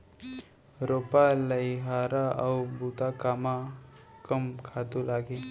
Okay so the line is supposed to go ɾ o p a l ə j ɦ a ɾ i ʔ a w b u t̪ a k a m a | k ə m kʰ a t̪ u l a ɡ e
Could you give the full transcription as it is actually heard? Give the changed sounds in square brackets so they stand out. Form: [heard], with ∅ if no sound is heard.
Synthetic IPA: ɾ o p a l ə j ɦ a ɾ [a] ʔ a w b u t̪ a k a m a | k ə m kʰ a t̪ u l a ɡ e